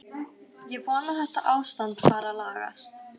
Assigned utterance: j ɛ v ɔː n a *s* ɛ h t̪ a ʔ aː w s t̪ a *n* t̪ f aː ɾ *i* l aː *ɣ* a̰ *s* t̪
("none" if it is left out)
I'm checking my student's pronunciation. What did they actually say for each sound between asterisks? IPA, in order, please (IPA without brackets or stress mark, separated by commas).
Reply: θ, n, a, ɣ, s